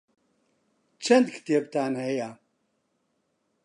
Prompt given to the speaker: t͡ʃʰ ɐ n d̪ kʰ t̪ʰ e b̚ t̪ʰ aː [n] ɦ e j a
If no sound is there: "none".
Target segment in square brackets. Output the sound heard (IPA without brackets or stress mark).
n